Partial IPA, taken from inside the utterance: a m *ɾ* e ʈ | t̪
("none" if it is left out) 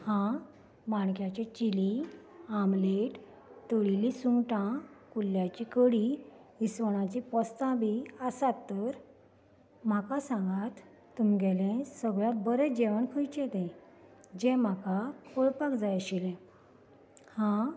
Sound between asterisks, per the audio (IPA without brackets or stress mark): l